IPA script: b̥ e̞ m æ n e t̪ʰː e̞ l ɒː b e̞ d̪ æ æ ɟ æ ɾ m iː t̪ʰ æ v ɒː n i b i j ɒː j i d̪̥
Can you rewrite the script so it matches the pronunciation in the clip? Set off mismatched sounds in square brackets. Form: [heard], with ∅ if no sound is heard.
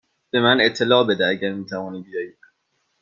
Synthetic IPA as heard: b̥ e̞ m æ n e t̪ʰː e̞ l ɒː b e̞ d̪ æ æ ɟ æ ɾ m iː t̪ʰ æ v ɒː n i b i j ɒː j i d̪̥